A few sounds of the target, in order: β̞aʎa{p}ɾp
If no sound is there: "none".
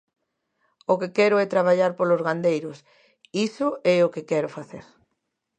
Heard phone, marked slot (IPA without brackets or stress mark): none